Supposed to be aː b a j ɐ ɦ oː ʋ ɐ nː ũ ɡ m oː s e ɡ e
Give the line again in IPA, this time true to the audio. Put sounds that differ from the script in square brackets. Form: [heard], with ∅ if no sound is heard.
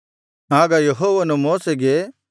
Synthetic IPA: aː [ɡ] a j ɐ ɦ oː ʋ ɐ [n] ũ [∅] m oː s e ɡ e

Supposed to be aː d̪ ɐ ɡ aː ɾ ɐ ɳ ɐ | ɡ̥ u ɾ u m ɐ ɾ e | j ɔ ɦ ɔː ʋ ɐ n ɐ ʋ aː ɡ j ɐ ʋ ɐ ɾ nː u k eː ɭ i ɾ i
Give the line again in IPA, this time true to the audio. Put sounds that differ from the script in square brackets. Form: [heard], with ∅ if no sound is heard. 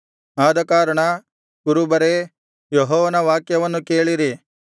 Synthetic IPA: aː d̪ ɐ [k] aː ɾ ɐ ɳ ɐ | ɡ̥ u ɾ u [b] ɐ ɾ e | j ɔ ɦ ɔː ʋ ɐ n ɐ ʋ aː [k] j ɐ ʋ ɐ [∅] nː u k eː ɭ i ɾ i

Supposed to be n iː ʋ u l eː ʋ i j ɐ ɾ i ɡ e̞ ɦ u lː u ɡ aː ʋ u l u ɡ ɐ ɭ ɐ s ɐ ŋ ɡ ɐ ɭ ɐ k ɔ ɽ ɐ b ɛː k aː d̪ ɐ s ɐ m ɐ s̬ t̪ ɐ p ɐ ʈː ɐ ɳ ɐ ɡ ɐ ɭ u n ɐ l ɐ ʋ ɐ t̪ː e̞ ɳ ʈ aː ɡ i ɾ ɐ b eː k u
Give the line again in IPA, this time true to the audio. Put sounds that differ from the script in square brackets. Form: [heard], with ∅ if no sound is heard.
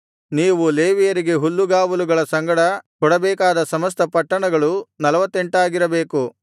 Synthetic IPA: n iː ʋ u l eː ʋ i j ɐ ɾ i ɡ e̞ ɦ u lː u ɡ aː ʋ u l u ɡ ɐ ɭ ɐ s ɐ ŋ ɡ ɐ [ɽ] ɐ k ɔ ɽ ɐ b ɛː k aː d̪ ɐ s ɐ m ɐ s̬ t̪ ɐ p ɐ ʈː ɐ ɳ ɐ ɡ ɐ ɭ u n ɐ l ɐ ʋ ɐ t̪ː e̞ ɳ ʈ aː ɡ i ɾ ɐ b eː k u

